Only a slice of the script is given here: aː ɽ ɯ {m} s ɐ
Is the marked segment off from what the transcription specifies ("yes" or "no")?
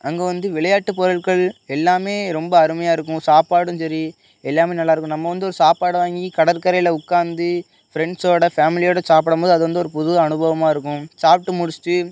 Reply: no